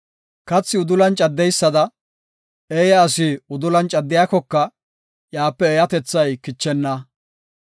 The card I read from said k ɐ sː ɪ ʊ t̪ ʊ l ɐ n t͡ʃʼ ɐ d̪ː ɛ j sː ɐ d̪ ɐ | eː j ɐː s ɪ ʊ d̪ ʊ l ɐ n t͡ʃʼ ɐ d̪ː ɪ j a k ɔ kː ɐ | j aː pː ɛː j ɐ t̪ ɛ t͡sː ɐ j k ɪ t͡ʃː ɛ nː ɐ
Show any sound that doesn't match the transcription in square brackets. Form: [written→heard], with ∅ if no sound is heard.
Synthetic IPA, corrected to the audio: k ɐ [sː→t͡sː] ɪ ʊ [t̪→d̪] ʊ l ɐ n t͡ʃʼ ɐ d̪ː ɛ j sː ɐ d̪ ɐ | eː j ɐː s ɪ ʊ d̪ ʊ l ɐ n t͡ʃʼ ɐ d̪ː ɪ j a k ɔ kː ɐ | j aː pː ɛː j ɐ t̪ ɛ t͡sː ɐ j k ɪ t͡ʃː ɛ nː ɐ